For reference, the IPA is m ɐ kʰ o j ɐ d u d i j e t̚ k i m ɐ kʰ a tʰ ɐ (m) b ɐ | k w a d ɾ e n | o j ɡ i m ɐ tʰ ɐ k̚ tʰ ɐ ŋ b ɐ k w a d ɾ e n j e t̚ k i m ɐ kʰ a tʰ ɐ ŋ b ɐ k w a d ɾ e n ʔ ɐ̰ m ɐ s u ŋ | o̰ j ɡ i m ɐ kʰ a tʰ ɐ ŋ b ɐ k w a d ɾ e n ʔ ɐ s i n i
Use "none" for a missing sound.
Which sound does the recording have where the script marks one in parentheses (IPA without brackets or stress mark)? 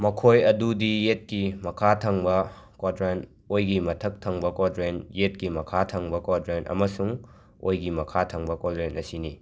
ŋ